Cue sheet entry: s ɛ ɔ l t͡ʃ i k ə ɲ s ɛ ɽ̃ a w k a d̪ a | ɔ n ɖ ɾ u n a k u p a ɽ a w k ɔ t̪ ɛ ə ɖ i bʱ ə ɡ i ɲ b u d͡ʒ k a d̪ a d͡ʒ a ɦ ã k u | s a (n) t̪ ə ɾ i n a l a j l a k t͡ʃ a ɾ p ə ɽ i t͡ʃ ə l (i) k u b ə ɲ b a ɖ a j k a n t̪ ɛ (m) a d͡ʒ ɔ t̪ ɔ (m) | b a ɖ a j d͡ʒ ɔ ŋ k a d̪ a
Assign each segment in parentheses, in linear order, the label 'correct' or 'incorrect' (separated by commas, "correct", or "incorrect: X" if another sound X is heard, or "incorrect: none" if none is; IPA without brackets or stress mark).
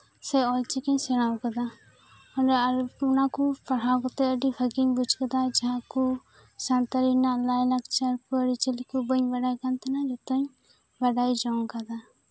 correct, correct, incorrect: n, incorrect: ɲ